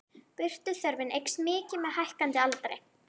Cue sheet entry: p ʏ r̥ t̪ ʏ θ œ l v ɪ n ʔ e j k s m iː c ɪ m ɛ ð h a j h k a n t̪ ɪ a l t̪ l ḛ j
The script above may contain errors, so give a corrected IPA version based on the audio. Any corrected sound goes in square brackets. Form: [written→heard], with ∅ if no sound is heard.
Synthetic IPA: p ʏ r̥ t̪ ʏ θ œ [l→ɾ] v ɪ n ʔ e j k s m [iː→ɪː] c ɪ m ɛ ð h a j h k a n t̪ ɪ a l t̪ [l→ɾ] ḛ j

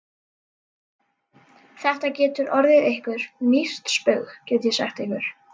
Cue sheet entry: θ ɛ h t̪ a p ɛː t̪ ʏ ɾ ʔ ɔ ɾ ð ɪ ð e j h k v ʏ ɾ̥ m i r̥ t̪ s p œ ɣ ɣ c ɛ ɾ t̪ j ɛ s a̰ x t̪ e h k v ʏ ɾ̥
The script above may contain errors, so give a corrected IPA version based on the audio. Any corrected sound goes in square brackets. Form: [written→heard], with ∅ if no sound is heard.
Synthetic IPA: θ ɛ h t̪ a [p→c] ɛː t̪ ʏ ɾ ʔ ɔ ɾ ð ɪ ð e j h k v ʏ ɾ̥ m i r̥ t̪ s p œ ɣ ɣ c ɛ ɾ t̪ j ɛ s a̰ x t̪ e h k v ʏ ɾ̥

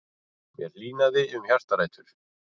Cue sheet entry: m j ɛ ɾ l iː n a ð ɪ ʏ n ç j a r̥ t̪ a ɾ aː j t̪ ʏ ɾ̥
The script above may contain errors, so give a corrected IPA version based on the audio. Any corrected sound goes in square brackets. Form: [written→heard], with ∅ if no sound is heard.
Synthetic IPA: m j ɛ ɾ l iː n a ð ɪ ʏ [n→m] ç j a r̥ t̪ a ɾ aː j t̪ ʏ ɾ̥

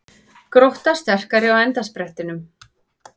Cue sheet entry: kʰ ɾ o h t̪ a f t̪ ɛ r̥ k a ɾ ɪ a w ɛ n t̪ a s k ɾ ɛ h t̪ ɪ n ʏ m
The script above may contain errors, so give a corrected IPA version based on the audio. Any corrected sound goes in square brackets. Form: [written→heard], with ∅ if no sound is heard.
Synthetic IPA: [kʰ→k] ɾ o h t̪ a [f→s] t̪ ɛ r̥ k a ɾ ɪ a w ɛ n t̪ a s [k→p] ɾ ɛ h t̪ ɪ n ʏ m

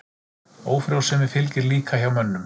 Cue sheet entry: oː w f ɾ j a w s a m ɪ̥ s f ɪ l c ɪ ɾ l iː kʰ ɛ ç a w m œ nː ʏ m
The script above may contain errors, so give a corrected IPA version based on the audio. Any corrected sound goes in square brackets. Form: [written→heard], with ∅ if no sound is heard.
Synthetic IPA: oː w f ɾ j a w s [a→ɛ] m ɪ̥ [s→∅] f ɪ l c ɪ ɾ l iː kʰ [ɛ→a] ç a w m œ nː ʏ m

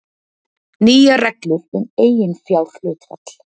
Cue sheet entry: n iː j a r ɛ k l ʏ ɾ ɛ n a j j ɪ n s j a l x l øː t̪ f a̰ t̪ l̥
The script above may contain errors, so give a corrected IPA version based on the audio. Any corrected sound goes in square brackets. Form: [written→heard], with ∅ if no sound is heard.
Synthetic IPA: n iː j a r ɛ k l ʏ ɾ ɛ n [a→e] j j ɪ n [s→f] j a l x l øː t̪ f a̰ t̪ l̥

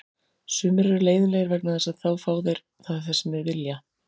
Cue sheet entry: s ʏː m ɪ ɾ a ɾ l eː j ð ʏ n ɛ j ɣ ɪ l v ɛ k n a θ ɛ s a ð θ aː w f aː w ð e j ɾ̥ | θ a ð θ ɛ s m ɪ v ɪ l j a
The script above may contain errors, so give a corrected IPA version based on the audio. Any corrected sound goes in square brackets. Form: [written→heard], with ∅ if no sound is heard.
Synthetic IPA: s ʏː m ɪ ɾ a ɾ l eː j ð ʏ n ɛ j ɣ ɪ [l→ɾ] v ɛ k n a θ ɛ s a ð θ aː w f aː w ð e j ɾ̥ | θ a ð θ ɛ s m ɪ v ɪ l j a

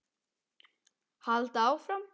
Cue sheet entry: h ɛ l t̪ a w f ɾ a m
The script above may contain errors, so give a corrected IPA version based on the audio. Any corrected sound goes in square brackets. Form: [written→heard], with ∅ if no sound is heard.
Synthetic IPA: h [ɛ→a] l t̪ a w f ɾ a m

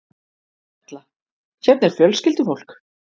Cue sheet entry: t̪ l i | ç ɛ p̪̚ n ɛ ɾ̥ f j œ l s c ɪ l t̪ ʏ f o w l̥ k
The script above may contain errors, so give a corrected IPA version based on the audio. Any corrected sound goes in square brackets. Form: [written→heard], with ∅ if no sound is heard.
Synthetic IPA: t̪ l [i→a] | ç ɛ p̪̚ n ɛ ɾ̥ f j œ l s c ɪ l t̪ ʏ f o w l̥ k

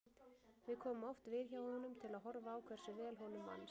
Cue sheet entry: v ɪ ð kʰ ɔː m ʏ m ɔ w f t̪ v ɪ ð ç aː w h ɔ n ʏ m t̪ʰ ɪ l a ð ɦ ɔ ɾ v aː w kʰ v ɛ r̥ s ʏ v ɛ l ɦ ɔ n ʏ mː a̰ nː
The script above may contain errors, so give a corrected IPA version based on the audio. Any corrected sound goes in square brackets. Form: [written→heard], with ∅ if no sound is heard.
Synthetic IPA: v ɪ ð kʰ ɔː m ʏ m ɔ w f t̪ v ɪ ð ç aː w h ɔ n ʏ m t̪ʰ ɪ l a ð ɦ ɔ ɾ v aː w kʰ v ɛ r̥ s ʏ v [ɛ→ɛː] l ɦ ɔ n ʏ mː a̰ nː

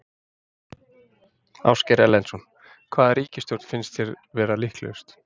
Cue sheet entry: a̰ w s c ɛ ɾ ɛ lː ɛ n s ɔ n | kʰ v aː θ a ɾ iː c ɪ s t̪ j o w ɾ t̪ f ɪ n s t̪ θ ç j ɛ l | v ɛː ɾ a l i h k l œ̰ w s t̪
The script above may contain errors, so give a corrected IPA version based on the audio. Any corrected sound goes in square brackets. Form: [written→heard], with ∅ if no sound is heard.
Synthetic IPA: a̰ w s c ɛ ɾ ɛ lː ɛ n s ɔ n | kʰ v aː [θ→ð] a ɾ iː c ɪ s t̪ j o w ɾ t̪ f ɪ n s t̪ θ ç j ɛ [l→ɾ] | v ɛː ɾ a l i h k l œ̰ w s t̪

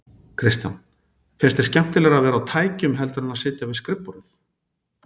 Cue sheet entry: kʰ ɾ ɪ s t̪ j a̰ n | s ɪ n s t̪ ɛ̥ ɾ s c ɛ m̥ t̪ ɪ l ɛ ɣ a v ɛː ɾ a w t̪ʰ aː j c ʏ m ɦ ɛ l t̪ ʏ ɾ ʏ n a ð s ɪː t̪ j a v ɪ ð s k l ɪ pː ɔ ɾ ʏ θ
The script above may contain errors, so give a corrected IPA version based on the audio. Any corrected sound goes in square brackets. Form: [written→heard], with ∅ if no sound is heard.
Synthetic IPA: kʰ ɾ ɪ s t̪ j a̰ n | [s→f] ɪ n s t̪ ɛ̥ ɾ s c ɛ m̥ t̪ ɪ l ɛ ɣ a v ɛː ɾ a w t̪ʰ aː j c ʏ m ɦ ɛ l t̪ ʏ ɾ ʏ n a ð s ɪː t̪ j a v ɪ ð s k [l→ɾ] ɪ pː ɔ ɾ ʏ θ

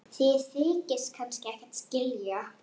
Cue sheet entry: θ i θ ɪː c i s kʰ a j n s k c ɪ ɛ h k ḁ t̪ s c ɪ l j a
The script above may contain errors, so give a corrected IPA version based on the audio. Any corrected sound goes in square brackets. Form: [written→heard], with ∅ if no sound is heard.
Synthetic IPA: θ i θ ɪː c [i→ɪ] s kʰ a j n s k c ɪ ɛ h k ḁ t̪ s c ɪ l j a

